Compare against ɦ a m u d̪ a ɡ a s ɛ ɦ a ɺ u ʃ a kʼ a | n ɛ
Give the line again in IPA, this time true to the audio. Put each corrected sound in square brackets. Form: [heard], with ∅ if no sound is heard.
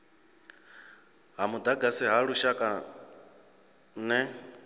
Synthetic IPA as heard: ɦ a m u d̪ a ɡ a s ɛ ɦ a ɺ u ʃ a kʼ a | n ɛ